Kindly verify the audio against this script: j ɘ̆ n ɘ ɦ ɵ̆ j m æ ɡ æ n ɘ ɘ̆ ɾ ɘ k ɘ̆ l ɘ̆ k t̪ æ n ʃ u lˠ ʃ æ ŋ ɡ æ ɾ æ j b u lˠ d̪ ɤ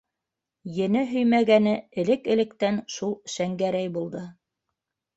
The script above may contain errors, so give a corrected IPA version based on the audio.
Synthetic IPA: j ɘ̆ n ɘ ɦ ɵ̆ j m æ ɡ æ n ɘ ɘ̆ l ɘ k ɘ̆ l ɘ̆ k t̪ æ n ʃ u lˠ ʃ æ ŋ ɡ æ ɾ æ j b u lˠ d̪ ɤ